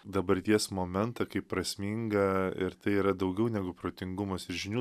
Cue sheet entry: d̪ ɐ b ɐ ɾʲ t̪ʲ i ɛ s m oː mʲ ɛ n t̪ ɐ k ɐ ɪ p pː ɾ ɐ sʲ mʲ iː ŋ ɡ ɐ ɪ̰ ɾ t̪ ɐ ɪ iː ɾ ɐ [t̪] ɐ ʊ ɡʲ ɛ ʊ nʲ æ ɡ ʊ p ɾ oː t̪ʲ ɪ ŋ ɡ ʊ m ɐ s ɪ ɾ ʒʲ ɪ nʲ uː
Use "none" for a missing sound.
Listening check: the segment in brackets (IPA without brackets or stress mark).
d̪